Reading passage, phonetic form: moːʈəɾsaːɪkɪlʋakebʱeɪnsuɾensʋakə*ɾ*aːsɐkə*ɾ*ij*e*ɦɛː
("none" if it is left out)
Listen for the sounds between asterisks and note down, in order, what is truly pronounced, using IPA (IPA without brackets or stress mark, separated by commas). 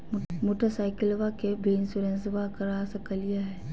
ɾ, l, a